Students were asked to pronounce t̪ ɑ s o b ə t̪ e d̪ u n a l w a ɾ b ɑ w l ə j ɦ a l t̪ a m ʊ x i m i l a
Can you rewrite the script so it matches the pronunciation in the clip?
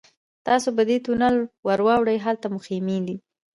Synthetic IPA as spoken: t̪ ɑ s o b ə d̪ e t̪ u n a l w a ɾ w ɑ w ɽ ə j ɦ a l t̪ a m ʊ x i m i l i